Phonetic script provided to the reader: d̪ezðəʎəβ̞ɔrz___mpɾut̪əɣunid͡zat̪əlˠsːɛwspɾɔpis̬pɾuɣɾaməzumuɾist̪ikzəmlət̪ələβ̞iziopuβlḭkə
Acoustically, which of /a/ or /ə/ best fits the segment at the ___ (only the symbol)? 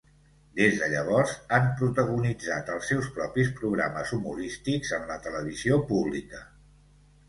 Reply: a